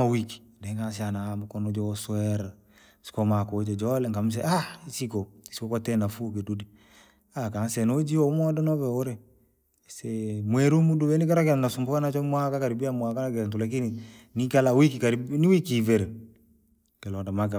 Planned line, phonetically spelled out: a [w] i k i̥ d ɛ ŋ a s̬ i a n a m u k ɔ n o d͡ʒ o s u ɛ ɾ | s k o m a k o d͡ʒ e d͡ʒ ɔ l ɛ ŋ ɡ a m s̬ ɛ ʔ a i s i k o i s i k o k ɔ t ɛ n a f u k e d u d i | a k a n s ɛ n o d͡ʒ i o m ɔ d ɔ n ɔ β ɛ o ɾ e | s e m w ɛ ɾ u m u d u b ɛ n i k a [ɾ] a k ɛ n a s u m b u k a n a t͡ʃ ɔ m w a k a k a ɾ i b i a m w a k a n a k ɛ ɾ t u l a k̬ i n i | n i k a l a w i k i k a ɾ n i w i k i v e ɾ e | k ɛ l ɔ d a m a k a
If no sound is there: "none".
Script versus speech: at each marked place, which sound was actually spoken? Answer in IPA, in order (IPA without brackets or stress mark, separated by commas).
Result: w, ɾ